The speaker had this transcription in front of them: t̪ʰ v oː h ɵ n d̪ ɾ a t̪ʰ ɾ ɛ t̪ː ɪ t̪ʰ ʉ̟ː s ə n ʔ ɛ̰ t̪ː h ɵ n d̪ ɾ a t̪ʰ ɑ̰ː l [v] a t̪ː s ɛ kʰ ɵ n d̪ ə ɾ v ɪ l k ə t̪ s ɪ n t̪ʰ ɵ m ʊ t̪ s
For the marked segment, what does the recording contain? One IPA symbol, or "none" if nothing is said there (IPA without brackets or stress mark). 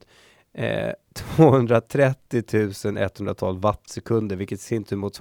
v